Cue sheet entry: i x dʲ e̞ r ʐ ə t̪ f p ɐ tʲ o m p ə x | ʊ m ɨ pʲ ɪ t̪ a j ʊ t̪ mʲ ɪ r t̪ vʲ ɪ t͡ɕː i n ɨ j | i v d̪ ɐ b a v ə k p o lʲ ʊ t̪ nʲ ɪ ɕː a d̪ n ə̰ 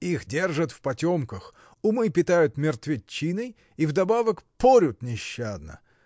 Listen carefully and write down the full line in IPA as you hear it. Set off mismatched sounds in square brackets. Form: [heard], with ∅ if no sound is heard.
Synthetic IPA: i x dʲ e̞ r ʐ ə t̪ f p ɐ tʲ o m [k] ə x | ʊ m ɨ pʲ ɪ t̪ a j ʊ t̪ mʲ ɪ r t̪ vʲ ɪ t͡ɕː i n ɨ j | i v d̪ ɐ b a v ə k p o [ɾʲ] ʊ t̪ nʲ ɪ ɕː a d̪ n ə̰